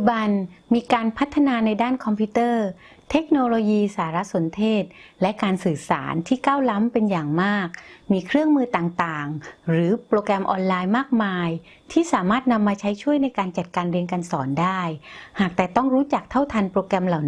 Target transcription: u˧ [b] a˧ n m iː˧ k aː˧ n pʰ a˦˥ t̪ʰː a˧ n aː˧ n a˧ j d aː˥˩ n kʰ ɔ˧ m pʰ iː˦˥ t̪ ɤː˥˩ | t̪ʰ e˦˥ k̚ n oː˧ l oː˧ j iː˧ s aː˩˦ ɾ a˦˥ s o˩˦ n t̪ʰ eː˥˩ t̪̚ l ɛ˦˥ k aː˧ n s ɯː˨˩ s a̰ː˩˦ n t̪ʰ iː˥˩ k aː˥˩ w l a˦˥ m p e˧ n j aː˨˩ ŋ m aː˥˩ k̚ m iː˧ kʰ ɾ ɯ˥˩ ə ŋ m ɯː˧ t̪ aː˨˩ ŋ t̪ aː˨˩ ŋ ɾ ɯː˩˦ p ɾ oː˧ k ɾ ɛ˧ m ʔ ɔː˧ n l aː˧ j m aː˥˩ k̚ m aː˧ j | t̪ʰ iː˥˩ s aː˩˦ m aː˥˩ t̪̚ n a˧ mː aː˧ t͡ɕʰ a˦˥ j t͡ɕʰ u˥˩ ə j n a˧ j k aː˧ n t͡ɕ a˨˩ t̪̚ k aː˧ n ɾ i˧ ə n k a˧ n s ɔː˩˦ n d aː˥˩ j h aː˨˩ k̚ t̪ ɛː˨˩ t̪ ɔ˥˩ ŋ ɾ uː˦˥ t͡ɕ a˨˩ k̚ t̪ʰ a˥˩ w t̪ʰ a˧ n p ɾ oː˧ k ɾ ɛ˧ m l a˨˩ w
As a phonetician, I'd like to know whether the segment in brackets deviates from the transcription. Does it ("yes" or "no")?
no